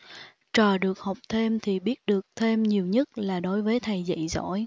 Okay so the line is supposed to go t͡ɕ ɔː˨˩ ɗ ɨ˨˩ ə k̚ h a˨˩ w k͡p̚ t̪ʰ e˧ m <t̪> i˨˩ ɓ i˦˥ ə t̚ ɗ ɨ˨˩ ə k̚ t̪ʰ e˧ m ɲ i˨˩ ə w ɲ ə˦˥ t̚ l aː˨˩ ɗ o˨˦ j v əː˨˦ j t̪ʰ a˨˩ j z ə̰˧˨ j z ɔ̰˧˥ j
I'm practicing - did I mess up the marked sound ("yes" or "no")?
yes